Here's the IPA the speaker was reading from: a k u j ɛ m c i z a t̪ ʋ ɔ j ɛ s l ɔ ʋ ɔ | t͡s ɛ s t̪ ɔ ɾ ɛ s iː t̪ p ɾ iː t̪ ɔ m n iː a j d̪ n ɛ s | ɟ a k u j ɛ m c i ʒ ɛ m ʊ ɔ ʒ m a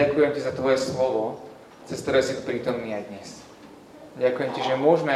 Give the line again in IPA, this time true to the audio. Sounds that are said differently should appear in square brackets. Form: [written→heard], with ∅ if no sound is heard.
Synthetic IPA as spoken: a k u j ɛ m c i z a t̪ ʋ ɔ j ɛ s l ɔ ʋ ɔ | t͡s ɛ s t̪ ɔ ɾ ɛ s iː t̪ p ɾ iː t̪ ɔ m n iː a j d̪ [n→ɲ] ɛ s | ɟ a k u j ɛ m c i ʒ ɛ m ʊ ɔ ʒ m [a→ɛ]